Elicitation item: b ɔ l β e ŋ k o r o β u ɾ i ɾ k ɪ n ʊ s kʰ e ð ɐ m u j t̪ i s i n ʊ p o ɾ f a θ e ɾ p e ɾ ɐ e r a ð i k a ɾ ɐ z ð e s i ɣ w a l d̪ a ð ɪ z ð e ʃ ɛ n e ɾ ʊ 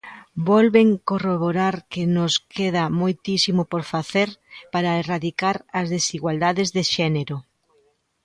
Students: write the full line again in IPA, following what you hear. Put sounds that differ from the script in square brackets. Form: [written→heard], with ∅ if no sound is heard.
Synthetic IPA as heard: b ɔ l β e ŋ k o r o β [u→o] ɾ [i→a] ɾ k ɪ n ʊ s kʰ e ð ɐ m [u→o] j t̪ i s i [n→m] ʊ p o ɾ f a θ e ɾ p [e→a] ɾ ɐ e r a ð i k a ɾ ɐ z ð e s i ɣ w a l d̪ a ð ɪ z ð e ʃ ɛ n e ɾ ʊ